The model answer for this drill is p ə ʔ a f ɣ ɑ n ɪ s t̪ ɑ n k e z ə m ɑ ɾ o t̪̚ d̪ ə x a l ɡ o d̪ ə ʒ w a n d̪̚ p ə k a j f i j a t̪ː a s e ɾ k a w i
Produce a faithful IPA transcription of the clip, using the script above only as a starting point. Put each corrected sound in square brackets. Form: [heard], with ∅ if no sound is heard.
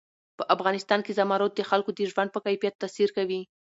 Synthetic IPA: p ə ʔ a f ɣ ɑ n ɪ s t̪ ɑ n k e z [a] m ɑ ɾ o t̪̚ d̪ ə x a l [k] o d̪ ə ʒ w a n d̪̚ p ə k a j f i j a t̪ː a s [i] ɾ k a w i